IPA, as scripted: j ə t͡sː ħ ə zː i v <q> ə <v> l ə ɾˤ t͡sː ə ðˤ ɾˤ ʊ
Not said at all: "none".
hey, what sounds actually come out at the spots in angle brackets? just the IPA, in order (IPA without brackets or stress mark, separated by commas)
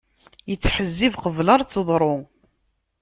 q, v